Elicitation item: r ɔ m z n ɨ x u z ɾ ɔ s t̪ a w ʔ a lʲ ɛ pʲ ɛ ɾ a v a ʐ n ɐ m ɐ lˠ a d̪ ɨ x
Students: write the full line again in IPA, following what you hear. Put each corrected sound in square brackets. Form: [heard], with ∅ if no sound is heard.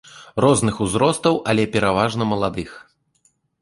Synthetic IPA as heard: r ɔ [∅] z n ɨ x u z ɾ ɔ s t̪ [ɐ] w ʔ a lʲ ɛ pʲ ɛ ɾ a v a ʐ n ɐ m ɐ lˠ a d̪ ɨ x